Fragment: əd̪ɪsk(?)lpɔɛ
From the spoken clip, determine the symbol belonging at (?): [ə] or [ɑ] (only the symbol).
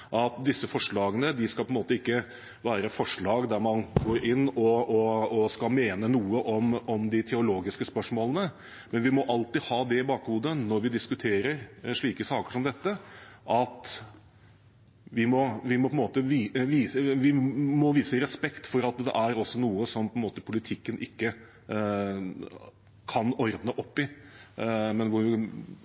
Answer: ɑ